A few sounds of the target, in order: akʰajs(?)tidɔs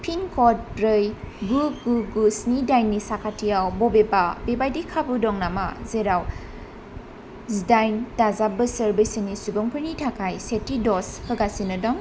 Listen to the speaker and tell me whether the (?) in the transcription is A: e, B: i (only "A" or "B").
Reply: A